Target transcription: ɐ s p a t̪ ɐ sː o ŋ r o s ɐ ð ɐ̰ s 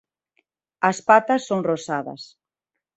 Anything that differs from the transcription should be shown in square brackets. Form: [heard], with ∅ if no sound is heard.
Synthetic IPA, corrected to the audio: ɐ s p a t̪ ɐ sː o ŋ r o s [a] ð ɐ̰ s